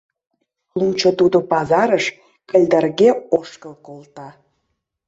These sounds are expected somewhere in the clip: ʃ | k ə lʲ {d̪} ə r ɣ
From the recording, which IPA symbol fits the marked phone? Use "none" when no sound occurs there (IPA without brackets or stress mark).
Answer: d̪